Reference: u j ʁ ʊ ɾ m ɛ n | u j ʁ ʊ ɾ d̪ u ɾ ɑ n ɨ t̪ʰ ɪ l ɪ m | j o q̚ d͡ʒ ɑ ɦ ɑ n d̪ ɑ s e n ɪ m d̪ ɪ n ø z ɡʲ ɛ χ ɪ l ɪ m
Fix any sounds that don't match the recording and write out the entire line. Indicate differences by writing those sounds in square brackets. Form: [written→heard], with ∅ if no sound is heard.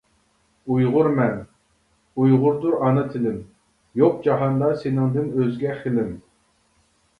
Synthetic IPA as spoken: u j ʁ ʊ ɾ m ɛ n | u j ʁ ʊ ɾ d̪ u ɾ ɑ n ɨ t̪ʰ ɪ l ɪ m | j o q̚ d͡ʒ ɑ ɦ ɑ n d̪ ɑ s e n ɪ [m→ŋ] d̪ ɪ n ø z ɡʲ ɛ χ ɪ l ɪ m